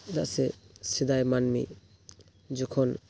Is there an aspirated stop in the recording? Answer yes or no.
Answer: yes